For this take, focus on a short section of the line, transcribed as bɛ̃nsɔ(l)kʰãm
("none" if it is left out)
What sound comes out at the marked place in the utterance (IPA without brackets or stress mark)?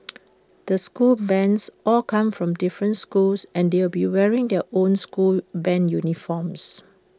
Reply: l